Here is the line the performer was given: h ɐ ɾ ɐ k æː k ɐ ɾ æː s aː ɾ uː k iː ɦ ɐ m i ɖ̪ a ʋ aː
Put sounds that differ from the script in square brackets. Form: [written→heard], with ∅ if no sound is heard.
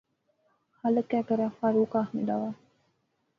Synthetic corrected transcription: h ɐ [ɾ→l] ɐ k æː k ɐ ɾ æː [s→f] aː ɾ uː k [iː→aː] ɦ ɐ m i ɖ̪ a ʋ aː